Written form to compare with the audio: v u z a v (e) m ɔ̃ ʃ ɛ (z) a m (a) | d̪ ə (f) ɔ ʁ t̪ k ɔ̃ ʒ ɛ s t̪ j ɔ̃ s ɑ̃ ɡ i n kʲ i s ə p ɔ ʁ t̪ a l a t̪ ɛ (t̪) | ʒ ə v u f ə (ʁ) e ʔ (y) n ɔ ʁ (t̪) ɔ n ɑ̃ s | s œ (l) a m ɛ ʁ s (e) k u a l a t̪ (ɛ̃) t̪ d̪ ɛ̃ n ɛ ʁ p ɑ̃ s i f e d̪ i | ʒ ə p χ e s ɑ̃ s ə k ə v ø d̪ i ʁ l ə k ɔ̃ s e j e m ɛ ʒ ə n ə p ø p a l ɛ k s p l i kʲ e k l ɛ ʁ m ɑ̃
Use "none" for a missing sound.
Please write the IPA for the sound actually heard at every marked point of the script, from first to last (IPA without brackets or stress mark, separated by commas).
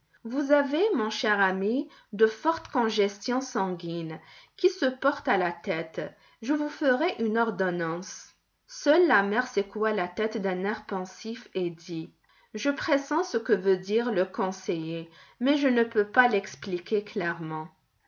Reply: e, ʁ, i, f, t̪, ʁ, y, d̪, lː, e, ɛ